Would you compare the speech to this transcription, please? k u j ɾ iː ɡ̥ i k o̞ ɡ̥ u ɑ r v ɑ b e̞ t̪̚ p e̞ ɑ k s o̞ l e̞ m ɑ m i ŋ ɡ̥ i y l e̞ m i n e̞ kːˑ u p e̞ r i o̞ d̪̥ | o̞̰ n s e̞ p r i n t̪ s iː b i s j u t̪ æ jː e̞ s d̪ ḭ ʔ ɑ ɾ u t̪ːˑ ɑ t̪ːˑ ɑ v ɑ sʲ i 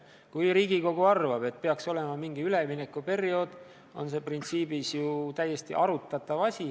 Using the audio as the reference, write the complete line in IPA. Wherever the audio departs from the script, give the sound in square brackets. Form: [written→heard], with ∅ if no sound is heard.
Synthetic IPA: k u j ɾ iː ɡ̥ i k o̞ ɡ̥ u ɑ r v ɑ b e̞ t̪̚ p e̞ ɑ k s o̞ l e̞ m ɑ m i ŋ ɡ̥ i y l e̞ m i n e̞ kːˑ u p e̞ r i o̞ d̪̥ | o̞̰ n s e̞ p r i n t̪ s iː b i s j u t̪ æ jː e̞ s [d̪→t̪] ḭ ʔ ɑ ɾ u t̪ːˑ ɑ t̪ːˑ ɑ v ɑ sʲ i